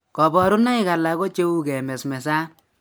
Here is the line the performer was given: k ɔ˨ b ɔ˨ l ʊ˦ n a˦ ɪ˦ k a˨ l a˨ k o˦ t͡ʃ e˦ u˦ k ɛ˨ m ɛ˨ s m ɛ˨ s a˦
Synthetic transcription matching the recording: k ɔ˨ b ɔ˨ ɾ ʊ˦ n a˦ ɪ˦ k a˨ l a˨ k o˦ t͡ʃ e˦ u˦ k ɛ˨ m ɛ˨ s m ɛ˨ s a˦